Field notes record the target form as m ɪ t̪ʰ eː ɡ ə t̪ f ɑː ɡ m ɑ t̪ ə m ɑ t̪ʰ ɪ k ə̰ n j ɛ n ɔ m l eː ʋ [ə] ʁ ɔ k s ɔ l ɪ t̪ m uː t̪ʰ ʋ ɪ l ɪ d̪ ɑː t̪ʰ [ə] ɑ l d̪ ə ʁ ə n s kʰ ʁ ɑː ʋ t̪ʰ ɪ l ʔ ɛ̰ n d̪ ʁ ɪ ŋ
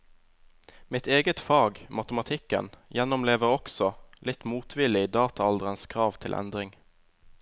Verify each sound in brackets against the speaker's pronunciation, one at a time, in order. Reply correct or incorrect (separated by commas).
correct, incorrect